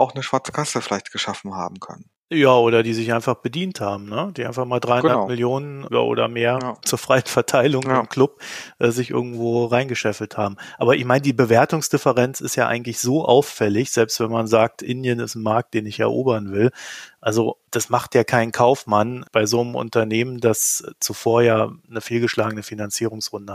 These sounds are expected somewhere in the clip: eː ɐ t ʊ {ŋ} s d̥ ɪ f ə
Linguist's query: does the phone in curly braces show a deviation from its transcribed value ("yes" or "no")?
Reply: no